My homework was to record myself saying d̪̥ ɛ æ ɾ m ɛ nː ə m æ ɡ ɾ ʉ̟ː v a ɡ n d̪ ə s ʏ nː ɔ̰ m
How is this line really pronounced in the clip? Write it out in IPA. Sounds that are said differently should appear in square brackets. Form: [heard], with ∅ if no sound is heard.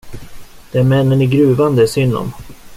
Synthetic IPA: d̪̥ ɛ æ ɾ m ɛ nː ə [n] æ ɡ ɾ ʉ̟ː v a [∅] n d̪ ə s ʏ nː ɔ̰ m